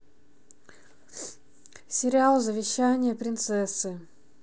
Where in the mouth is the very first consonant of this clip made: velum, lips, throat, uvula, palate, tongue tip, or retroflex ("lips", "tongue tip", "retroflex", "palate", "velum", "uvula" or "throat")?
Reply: tongue tip